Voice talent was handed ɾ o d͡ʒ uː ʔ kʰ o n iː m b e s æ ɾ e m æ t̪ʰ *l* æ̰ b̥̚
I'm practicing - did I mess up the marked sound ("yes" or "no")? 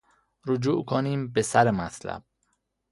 no